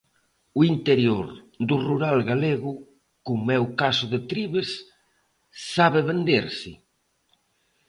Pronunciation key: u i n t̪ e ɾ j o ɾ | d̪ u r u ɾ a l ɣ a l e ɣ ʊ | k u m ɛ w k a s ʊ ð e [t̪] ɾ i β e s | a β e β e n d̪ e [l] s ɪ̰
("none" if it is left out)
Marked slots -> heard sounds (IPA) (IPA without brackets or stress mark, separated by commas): t̪, ɾ